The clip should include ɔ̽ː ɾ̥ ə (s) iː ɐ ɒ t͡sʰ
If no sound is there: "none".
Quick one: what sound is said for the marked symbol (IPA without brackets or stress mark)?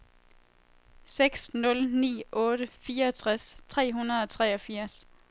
f